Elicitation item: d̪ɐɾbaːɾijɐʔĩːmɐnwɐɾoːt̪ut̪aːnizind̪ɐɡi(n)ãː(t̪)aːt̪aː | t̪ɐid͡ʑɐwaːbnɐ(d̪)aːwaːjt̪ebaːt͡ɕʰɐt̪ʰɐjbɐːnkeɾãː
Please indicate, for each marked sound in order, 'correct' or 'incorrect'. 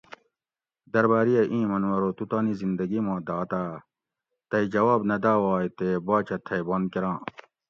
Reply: incorrect, incorrect, correct

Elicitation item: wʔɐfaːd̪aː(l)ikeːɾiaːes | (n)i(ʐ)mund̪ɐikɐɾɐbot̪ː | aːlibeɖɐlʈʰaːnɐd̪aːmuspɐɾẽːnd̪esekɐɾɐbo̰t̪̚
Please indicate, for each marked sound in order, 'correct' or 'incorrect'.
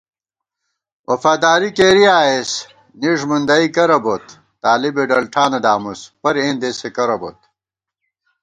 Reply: incorrect, correct, correct

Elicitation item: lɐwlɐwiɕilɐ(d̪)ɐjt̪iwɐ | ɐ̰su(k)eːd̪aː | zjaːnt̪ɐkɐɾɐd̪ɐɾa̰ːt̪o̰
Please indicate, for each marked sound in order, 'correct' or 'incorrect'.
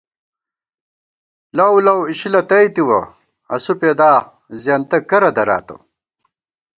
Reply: incorrect, incorrect

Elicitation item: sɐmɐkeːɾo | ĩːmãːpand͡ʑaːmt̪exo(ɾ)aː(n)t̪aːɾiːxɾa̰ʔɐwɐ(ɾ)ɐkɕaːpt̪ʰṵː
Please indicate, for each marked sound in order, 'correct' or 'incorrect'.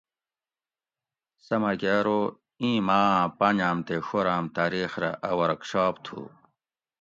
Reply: correct, incorrect, correct

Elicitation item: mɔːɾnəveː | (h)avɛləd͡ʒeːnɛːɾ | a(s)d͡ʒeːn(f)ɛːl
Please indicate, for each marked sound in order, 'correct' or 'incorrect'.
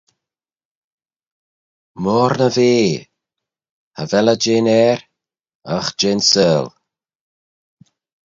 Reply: correct, incorrect, incorrect

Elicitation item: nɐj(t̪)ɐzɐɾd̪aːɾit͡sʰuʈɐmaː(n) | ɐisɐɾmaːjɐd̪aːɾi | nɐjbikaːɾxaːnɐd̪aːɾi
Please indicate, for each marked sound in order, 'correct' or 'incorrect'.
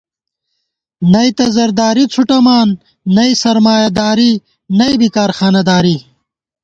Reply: correct, incorrect

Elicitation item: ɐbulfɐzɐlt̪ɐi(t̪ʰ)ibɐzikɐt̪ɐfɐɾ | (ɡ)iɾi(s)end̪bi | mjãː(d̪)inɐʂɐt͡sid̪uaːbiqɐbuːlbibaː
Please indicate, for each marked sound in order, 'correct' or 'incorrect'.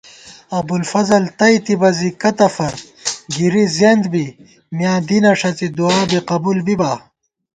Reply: incorrect, correct, incorrect, correct

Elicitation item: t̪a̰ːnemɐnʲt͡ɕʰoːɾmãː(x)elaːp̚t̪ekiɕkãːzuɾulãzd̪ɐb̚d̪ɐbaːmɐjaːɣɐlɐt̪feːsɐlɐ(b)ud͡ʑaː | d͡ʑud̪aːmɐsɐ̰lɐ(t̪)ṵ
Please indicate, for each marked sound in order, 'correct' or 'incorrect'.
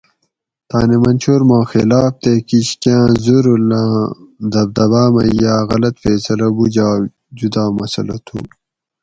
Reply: correct, correct, incorrect

